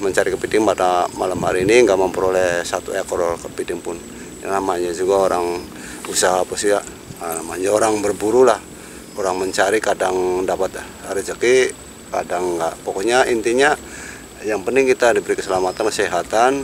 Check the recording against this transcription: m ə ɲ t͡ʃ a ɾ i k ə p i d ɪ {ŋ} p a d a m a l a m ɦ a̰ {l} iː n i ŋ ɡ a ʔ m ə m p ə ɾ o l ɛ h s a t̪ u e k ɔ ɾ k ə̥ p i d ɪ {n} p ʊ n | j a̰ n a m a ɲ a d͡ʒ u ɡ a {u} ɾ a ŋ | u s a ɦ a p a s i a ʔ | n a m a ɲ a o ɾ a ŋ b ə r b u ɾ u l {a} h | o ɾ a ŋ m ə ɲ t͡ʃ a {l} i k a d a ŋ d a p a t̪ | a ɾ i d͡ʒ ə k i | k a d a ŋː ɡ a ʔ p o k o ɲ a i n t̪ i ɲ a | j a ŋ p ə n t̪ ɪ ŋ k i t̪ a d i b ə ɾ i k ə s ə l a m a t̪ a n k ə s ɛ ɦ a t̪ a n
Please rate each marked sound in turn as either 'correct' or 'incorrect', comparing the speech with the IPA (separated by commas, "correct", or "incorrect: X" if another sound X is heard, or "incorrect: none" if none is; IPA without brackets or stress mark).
correct, incorrect: ɾ, incorrect: ŋ, incorrect: o, correct, incorrect: ɾ